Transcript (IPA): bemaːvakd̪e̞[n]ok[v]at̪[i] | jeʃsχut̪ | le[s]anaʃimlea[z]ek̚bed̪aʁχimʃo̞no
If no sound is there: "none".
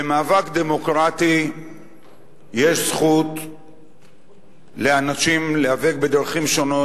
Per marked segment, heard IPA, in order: m, ʁ, i, none, v

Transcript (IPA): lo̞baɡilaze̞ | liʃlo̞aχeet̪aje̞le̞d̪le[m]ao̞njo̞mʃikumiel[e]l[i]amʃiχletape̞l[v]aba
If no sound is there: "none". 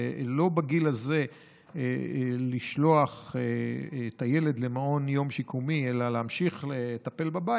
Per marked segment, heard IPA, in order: m, a, e, b

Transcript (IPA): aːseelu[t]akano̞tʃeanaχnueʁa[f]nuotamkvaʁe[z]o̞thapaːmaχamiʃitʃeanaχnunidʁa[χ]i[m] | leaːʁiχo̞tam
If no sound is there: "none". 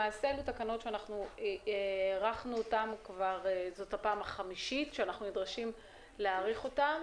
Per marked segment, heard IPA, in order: t, χ, z, ʃ, m

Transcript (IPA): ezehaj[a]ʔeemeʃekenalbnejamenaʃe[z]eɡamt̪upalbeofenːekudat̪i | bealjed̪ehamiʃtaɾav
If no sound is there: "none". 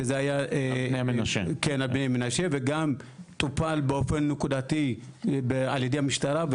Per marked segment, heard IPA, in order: a, v

